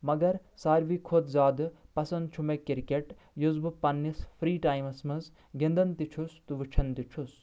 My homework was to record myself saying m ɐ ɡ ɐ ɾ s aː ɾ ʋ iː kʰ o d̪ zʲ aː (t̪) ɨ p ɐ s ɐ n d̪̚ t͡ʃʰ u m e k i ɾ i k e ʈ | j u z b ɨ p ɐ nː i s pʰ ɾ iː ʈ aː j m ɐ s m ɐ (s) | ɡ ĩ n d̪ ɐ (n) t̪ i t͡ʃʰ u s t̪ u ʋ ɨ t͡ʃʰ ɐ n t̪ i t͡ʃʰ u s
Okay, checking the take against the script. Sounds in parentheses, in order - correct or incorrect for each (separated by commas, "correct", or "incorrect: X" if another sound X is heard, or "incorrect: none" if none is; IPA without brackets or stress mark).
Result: incorrect: d̪, incorrect: z, correct